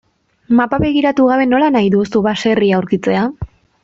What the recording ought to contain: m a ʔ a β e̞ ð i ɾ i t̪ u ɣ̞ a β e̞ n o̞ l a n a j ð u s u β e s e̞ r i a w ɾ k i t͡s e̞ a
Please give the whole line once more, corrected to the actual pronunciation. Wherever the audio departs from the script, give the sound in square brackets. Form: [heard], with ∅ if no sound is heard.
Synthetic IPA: m a [p] a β e̞ [ɣ] i ɾ [a] t̪ u ɣ̞ a β e̞ n o̞ l a n a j ð u s u β [a] s e̞ r i a w ɾ k i t͡s e̞ a